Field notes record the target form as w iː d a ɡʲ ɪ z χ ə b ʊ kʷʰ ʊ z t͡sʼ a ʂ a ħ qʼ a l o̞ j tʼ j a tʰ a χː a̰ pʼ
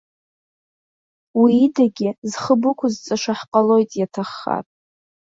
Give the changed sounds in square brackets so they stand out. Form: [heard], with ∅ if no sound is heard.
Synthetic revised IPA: w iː d a ɡʲ ɪ z χ ə b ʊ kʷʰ ʊ z t͡sʼ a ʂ a ħ qʼ a l o̞ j tʼ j a tʰ a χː a̰ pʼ